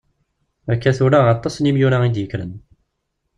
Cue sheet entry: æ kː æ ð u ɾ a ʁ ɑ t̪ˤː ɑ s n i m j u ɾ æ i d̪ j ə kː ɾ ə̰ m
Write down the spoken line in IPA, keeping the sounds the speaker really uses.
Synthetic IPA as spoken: æ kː æ θ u ɾ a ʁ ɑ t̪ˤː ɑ s n i m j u ɾ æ i d̪ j ə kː ɾ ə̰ n